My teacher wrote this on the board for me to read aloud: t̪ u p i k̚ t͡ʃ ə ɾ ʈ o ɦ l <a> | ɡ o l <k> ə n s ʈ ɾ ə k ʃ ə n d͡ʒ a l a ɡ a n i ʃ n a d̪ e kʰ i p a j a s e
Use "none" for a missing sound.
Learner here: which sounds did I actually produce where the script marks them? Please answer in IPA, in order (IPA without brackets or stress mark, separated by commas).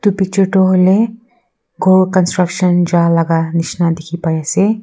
e, k